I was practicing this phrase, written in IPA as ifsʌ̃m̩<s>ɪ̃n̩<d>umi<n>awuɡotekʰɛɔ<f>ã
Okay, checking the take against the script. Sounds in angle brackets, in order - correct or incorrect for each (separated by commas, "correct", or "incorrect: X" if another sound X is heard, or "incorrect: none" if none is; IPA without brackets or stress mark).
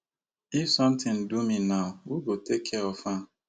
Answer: incorrect: t, correct, correct, correct